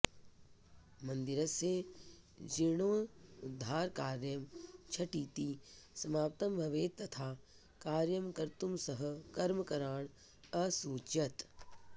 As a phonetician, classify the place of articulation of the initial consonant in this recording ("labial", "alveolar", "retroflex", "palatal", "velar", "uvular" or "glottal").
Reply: labial